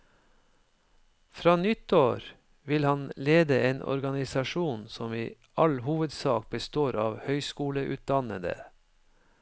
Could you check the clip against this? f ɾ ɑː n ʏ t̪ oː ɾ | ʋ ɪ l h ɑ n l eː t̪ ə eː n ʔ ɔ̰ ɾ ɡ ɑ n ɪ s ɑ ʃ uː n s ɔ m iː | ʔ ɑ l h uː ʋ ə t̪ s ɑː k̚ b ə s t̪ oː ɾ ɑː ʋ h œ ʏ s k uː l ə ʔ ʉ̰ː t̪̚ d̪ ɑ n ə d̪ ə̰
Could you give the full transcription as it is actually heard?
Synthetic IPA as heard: f ɾ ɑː n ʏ t̪ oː ɾ | ʋ ɪ l h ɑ n l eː d̪ ə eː n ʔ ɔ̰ ɾ ɡ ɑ n ɪ s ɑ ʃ uː n s ɔ m iː | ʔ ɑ l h uː ʋ ə d̪ s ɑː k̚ b ə s t̪ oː ɾ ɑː ʋ h œ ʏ s k uː l ə ʔ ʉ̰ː t̪̚ d̪ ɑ n ə d̪ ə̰